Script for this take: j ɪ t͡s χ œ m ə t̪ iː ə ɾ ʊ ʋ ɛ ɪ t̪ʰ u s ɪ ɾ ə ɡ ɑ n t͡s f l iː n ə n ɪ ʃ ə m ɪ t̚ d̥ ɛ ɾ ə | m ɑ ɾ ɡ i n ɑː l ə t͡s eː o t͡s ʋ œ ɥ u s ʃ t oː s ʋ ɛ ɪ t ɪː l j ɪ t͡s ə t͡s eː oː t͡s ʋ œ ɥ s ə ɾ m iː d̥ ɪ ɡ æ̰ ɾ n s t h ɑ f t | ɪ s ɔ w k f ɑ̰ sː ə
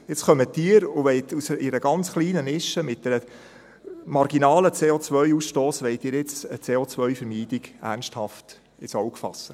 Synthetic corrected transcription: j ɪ t͡s χ œ m ə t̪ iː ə ɾ ʊ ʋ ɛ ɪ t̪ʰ u s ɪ ɾ ə ɡ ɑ n t͡s χ l iː n ə n ɪ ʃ ə m ɪ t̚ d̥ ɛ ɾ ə | m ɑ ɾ ɡ i n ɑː l ə t͡s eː o t͡s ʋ œ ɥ u s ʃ t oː s ʋ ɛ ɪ t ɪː ɾ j ɪ t͡s ə t͡s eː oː t͡s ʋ œ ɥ f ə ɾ m iː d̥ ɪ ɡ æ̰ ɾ n s t h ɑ f t | ɪ s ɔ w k f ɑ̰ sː ə

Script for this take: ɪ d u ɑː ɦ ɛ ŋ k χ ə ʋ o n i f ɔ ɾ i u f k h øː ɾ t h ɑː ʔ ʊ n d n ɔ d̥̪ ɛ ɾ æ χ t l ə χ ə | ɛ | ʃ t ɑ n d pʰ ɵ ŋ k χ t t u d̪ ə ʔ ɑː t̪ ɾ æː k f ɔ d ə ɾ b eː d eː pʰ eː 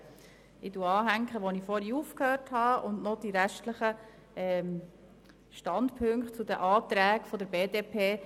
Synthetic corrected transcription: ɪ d u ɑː ɦ æ ŋ k χ ə ʋ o n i f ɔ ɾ i u f k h øː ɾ t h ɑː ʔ ʊ n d n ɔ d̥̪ i ɾ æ ʃ t l ə χ ə | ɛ | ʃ t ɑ n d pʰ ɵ ŋ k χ t t͡s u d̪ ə ʔ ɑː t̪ ɾ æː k f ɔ d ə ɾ b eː d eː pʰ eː

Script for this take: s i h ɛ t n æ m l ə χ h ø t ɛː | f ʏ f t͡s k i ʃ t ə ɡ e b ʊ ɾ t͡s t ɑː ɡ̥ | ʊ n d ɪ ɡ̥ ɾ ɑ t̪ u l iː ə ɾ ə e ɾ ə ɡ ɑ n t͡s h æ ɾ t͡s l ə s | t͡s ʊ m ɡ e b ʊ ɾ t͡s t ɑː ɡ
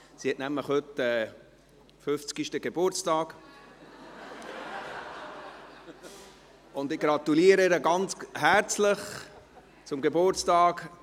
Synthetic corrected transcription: s i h ɛ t n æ m l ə χ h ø t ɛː | f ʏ f t͡s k i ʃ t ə ɡ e b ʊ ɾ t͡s t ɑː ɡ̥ | ʊ n d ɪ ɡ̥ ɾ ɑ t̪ u l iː ə ɾ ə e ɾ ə ɡ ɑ n t͡s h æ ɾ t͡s l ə χ | t͡s ʊ m ɡ e b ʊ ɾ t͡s t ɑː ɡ

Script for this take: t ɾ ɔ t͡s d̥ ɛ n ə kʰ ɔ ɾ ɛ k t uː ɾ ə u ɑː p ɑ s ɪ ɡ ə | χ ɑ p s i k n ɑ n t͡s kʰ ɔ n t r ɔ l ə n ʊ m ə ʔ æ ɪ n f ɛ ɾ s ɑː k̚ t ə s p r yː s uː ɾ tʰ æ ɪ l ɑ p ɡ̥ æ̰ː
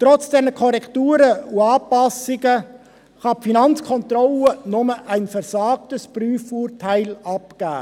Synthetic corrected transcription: t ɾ ɔ t͡s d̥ ɛ n ə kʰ ɔ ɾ ɛ k t uː ɾ ə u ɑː p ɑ s ɪ ɡ ə | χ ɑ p f i n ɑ n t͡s kʰ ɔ n t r ɔ l ə n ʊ m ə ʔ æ ɪ n f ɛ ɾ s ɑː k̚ t ə s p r yː f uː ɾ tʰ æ ɪ l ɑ p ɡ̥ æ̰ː

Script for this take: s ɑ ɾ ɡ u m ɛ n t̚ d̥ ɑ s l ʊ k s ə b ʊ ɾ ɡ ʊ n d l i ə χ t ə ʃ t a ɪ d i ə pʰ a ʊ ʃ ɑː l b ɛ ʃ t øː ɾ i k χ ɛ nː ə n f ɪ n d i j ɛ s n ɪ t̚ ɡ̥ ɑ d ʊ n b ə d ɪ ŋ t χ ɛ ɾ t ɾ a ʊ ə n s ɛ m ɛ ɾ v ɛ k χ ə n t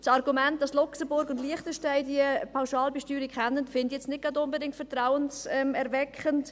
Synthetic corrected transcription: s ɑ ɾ ɡ u m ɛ n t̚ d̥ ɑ s l ʊ k s ə b ʊ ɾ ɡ ʊ n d l i ə χ t ə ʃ t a ɪ d i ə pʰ a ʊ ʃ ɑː l b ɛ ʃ t yː ɾ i k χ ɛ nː ə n f ɪ n d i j ɛ t͡s n ɪ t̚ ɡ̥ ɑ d ʊ n b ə d ɪ ŋ t f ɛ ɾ t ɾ a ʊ ə n s ɛ m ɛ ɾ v ɛ k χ ə n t

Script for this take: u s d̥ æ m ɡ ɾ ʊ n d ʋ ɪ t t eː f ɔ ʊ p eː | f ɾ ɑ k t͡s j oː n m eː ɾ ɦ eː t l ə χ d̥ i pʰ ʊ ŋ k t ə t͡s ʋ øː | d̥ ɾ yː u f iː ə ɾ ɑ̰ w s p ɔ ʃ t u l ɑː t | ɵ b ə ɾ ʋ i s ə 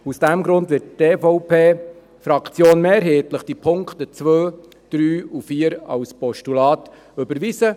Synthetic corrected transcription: u s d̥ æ m ɡ ɾ ʊ n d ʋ ɪ t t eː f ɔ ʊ p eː | f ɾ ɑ k t͡s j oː n m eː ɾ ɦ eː t l ə χ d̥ i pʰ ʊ ŋ k t ə t͡s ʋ øː | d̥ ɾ yː u f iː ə ɾ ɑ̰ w s p ɔ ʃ t u l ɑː t | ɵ b ə ɾ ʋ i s ə

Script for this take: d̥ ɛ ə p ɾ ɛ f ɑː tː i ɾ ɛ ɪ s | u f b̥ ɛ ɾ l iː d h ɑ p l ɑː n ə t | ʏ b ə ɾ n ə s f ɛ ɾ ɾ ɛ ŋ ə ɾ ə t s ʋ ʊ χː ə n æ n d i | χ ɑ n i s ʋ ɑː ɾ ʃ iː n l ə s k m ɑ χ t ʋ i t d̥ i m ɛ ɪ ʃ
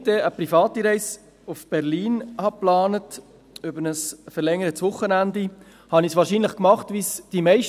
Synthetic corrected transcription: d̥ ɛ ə p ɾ i f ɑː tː i ɾ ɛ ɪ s | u f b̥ ɛ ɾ l iː n h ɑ p l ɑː n ə t | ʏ b ə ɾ n ə s f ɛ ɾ l ɛ ŋ ə ɾ ə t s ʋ ʊ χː ə n æ n d i | h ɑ n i s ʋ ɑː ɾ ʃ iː n l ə χ k m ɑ χ t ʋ i s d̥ i m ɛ ɪ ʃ

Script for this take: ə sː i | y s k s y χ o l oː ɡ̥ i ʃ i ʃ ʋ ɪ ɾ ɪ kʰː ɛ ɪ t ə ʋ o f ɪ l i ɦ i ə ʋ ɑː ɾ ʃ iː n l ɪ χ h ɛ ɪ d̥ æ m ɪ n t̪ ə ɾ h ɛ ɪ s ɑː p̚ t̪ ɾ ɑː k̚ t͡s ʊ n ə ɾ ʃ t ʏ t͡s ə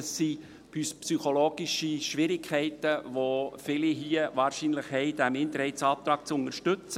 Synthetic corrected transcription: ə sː i | y s p s y χ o l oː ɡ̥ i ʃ i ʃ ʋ ɪ ɾ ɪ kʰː ɛ ɪ t ə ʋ o f ɪ l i ɦ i ə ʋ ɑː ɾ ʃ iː n l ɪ χ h ɛ ɪ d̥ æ m ɪ n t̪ ə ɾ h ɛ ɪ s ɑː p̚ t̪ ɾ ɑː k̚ t͡s ʊ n ə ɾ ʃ t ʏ t͡s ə

